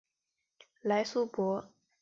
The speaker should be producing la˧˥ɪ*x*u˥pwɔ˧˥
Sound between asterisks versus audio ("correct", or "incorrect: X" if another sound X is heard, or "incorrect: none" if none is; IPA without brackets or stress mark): incorrect: s